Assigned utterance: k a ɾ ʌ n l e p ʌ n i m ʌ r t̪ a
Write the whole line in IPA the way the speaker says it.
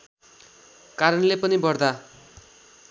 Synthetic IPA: k a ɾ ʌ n l e p ʌ n i b ʌ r d̪ a